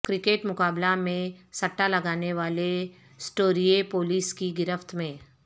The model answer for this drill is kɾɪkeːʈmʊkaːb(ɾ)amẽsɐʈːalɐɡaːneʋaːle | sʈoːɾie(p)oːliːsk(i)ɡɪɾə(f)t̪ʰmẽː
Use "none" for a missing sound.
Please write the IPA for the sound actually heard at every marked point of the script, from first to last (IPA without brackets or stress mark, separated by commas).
l, p, i, f